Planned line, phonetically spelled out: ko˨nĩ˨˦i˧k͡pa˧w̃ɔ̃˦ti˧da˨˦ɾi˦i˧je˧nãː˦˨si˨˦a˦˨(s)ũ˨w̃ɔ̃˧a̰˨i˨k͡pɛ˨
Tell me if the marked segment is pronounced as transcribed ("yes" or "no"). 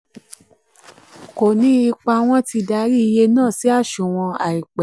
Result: no